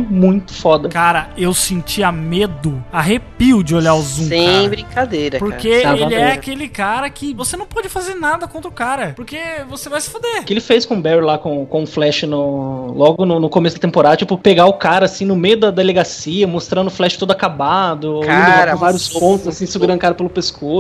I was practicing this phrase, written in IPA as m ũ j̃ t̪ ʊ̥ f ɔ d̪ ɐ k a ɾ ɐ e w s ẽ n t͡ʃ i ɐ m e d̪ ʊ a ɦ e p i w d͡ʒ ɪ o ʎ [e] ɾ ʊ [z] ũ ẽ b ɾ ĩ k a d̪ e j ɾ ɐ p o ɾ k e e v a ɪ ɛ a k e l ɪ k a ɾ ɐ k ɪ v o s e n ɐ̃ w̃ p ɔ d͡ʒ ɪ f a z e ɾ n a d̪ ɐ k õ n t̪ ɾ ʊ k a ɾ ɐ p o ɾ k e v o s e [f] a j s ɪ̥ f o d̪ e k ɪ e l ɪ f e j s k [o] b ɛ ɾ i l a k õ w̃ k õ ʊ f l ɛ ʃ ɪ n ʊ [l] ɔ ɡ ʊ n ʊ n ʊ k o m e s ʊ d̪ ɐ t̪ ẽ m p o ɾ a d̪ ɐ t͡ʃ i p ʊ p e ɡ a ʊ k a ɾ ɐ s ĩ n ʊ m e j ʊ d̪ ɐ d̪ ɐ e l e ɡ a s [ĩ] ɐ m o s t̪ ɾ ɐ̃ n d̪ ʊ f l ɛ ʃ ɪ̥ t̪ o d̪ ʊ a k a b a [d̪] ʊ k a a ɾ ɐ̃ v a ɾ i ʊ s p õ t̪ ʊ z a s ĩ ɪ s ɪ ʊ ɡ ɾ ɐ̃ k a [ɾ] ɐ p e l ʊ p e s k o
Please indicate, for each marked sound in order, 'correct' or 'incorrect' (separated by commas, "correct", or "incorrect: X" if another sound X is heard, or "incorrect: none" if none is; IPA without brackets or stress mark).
incorrect: a, correct, incorrect: v, incorrect: õ, correct, incorrect: i, correct, correct